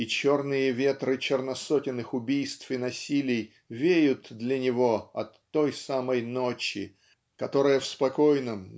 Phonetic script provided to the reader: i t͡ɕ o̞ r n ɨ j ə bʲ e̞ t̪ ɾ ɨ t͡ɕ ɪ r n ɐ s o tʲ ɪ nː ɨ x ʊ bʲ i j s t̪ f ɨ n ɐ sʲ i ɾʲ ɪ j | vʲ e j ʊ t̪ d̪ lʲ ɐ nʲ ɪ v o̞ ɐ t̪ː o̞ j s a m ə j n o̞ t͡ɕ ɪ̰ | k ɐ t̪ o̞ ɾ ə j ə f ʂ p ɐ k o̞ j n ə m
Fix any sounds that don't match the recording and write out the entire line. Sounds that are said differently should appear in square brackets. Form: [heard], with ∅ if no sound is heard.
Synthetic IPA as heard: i t͡ɕ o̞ r n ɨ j ə [vʲ] e̞ t̪ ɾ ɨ t͡ɕ ɪ r n ɐ s o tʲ ɪ nː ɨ x ʊ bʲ i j s t̪ f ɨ n ɐ sʲ i [lʲ] ɪ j | vʲ e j ʊ t̪ d̪ lʲ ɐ nʲ ɪ v o̞ ɐ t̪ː o̞ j s a m ə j n o̞ t͡ɕ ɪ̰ | k ɐ t̪ o̞ ɾ ə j ə f [s] p ɐ k o̞ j n ə m